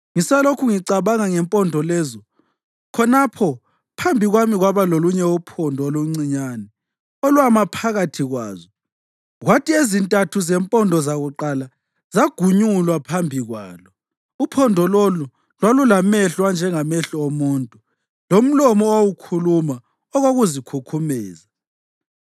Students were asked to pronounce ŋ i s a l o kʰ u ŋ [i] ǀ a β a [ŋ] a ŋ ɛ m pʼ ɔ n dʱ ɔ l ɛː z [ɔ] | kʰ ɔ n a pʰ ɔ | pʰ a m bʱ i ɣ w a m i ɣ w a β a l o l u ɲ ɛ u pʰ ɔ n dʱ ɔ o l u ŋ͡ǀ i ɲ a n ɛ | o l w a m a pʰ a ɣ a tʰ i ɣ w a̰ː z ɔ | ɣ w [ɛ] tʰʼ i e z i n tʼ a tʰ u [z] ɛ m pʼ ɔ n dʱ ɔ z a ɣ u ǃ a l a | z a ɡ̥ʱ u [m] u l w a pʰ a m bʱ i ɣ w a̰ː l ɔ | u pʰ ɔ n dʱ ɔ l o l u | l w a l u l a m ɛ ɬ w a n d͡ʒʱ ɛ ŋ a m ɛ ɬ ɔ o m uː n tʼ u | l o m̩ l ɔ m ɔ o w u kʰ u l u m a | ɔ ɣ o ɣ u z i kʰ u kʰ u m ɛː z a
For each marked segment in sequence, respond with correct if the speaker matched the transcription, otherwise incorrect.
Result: correct, correct, correct, incorrect, correct, incorrect

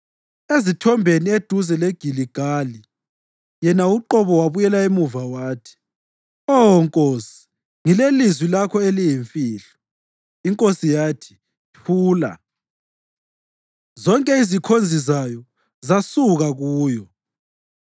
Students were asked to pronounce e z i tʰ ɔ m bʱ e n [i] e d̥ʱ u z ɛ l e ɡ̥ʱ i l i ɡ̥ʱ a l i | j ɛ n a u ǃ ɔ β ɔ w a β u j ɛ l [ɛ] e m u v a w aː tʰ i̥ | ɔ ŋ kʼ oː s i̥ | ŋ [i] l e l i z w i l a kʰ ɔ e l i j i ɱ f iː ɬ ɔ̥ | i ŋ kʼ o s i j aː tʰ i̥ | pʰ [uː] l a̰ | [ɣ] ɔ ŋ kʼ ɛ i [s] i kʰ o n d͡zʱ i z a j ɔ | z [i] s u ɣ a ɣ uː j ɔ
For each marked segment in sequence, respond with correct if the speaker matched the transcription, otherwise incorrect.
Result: correct, incorrect, correct, correct, incorrect, incorrect, incorrect

